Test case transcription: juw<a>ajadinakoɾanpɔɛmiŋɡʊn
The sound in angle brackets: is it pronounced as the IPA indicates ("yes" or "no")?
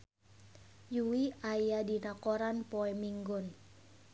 no